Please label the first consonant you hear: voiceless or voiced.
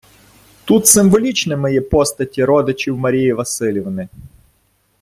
voiceless